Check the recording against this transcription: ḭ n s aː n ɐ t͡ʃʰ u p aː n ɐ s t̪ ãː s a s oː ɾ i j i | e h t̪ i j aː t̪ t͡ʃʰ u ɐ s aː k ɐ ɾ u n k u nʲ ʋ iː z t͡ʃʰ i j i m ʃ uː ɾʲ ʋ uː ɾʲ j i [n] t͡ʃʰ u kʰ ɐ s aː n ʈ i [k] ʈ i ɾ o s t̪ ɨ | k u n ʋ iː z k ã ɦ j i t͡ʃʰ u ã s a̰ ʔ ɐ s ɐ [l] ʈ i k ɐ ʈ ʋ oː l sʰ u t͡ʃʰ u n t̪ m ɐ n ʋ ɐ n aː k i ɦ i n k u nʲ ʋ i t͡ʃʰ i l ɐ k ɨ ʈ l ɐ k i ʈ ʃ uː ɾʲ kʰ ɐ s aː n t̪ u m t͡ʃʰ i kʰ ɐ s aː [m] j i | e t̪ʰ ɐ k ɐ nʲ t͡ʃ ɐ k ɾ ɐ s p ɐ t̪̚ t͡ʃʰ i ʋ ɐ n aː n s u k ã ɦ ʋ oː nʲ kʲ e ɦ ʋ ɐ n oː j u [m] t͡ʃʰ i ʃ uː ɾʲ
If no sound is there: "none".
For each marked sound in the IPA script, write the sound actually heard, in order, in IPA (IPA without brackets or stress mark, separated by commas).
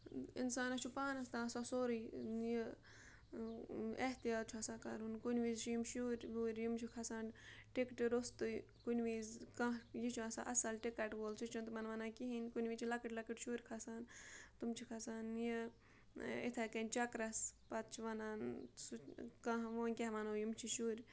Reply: m, k, l, n, m